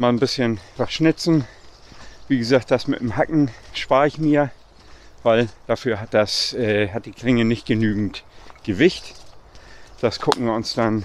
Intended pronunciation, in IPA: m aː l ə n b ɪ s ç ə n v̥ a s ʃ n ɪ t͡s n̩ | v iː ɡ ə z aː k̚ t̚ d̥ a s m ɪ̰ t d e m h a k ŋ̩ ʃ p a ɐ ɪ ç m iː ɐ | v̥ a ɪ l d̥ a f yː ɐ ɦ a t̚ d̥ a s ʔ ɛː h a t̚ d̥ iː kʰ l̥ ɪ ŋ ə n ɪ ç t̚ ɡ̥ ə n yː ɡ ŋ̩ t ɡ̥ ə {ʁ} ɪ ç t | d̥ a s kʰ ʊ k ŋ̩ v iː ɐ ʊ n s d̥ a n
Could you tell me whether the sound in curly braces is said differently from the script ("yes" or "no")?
yes